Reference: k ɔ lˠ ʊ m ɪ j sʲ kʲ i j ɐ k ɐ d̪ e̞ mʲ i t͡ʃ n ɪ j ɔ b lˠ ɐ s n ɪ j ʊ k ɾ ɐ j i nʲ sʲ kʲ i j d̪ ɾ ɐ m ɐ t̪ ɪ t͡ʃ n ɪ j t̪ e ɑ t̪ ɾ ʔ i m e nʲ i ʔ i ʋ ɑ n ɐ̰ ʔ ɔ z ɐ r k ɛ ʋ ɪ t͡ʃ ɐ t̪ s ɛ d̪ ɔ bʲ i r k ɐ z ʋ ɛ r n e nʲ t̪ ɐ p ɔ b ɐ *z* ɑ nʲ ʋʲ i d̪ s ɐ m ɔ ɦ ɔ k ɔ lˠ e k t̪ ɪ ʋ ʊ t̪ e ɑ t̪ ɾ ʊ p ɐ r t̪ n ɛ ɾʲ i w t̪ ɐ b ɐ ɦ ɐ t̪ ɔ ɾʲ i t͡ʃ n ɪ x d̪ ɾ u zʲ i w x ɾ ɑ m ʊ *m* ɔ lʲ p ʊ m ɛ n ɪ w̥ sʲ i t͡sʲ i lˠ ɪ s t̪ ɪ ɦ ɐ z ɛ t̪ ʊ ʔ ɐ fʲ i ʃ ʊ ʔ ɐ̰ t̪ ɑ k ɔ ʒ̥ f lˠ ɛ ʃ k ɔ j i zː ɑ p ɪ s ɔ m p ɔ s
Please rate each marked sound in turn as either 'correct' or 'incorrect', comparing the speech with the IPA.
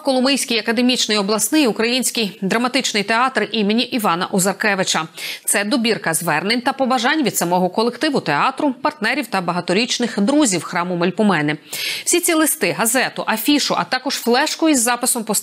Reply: incorrect, correct

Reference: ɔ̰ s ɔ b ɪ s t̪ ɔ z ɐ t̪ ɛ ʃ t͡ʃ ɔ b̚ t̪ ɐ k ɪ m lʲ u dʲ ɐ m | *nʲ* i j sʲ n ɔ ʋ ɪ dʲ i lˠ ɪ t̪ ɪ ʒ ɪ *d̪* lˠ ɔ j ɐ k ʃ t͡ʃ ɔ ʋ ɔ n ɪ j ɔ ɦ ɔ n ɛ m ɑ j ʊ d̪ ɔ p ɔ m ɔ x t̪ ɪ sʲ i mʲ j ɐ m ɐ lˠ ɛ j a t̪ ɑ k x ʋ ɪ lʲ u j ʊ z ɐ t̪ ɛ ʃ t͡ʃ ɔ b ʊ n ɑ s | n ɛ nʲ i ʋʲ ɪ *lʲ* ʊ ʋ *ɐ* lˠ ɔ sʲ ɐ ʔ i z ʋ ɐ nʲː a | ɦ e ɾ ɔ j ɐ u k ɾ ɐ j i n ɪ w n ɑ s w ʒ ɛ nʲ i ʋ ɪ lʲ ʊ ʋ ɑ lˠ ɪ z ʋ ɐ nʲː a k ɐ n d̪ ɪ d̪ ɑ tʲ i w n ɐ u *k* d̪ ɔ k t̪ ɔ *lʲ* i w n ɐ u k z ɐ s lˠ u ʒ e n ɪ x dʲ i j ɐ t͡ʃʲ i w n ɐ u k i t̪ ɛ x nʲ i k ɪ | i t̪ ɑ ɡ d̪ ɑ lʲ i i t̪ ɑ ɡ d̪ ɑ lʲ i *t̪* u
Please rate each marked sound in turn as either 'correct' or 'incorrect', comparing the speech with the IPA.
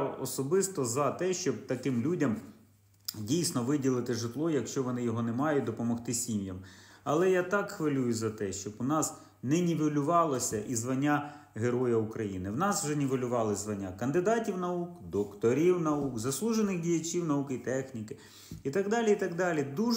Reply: incorrect, incorrect, correct, incorrect, correct, incorrect, incorrect

